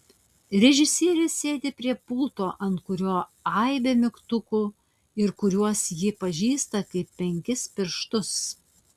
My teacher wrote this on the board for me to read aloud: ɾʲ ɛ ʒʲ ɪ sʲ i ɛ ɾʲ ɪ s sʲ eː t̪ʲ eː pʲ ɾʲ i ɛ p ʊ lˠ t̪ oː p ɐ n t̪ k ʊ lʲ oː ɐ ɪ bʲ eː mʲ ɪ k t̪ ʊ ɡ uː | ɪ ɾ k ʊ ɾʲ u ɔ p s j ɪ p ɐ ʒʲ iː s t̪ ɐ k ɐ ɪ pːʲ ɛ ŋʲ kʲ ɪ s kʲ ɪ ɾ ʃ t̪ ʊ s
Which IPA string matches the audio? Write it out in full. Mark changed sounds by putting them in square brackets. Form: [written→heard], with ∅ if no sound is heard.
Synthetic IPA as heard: ɾʲ ɛ ʒʲ ɪ sʲ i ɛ ɾʲ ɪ s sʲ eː [t̪ʲ→d̪ʲ] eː pʲ ɾʲ i ɛ p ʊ lˠ t̪ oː [p→ʔ] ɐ n t̪ k ʊ [lʲ→ɾʲ] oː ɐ ɪ bʲ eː mʲ ɪ k t̪ ʊ [ɡ→k] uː | ɪ ɾ k ʊ ɾʲ u ɔ [p→∅] s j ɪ p ɐ ʒʲ iː s t̪ ɐ k ɐ ɪ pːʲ ɛ ŋʲ kʲ ɪ s [kʲ→pʲ] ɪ ɾ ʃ t̪ ʊ s